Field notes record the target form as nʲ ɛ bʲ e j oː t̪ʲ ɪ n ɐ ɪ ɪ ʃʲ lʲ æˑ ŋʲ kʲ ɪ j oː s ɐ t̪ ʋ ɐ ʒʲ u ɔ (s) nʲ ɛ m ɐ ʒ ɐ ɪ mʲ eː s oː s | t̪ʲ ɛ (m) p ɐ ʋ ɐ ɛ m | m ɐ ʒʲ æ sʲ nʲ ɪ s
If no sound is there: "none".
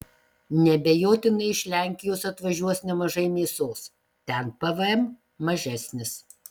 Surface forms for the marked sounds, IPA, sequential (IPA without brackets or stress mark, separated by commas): s, n